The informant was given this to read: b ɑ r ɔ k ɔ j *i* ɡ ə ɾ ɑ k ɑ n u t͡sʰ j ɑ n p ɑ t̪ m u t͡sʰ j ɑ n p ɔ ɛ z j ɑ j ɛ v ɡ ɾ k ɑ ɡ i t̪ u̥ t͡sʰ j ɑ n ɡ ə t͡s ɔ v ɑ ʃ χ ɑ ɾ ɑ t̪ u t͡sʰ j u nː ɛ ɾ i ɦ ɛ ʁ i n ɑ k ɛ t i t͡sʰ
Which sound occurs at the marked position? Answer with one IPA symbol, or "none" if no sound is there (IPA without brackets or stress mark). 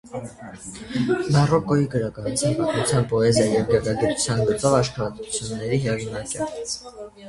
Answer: i